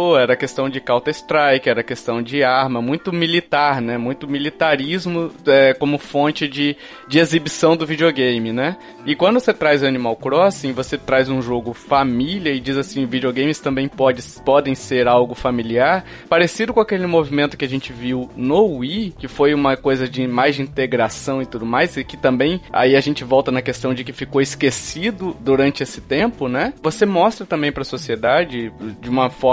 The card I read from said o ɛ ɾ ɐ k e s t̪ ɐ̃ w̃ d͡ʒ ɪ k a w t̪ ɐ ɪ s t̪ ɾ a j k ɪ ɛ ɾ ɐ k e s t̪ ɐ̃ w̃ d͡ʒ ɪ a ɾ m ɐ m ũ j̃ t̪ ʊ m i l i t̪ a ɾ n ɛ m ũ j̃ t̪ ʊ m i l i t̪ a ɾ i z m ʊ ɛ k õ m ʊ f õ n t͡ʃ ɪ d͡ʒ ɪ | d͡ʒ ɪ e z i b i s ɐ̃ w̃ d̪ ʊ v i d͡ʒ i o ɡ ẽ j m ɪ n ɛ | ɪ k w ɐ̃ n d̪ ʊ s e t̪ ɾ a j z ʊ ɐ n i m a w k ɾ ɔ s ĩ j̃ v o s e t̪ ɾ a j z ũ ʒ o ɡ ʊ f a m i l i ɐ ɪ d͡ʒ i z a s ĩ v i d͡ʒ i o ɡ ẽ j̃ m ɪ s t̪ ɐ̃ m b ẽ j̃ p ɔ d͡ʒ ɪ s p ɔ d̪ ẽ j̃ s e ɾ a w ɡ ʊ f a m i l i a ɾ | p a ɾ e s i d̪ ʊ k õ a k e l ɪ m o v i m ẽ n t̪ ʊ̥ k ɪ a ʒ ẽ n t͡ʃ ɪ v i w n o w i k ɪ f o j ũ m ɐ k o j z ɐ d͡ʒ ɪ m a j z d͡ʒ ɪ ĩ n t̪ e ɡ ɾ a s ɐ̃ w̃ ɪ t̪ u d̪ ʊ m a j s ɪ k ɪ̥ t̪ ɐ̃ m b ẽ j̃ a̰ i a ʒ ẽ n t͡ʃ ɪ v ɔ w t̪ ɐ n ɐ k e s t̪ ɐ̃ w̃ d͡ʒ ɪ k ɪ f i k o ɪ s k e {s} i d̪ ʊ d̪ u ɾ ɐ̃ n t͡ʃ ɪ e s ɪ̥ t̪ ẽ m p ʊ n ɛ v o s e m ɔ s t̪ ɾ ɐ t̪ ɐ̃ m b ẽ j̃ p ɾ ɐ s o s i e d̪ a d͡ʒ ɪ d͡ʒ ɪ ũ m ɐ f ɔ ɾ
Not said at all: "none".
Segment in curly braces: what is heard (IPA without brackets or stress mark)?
s